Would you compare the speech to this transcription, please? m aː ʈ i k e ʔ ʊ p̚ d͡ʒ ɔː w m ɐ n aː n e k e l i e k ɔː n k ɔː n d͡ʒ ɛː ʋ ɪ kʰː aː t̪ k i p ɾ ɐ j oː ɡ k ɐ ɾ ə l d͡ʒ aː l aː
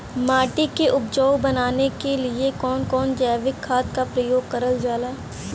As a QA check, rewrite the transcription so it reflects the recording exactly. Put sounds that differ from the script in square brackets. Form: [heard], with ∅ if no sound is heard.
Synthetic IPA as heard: m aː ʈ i k e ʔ ʊ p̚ d͡ʒ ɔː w [b] ɐ n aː n e k e l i e k ɔː n k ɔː n d͡ʒ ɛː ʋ ɪ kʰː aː t̪ k [a] p ɾ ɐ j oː ɡ k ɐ ɾ ə l d͡ʒ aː l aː